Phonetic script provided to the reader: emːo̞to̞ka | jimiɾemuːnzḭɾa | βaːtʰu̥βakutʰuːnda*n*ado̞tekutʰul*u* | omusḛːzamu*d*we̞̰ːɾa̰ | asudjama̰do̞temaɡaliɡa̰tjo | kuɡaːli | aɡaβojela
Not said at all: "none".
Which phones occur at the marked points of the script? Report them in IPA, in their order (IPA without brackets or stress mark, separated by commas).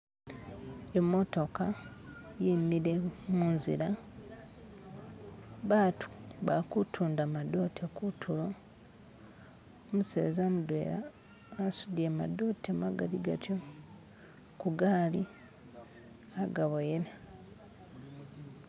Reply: m, o, d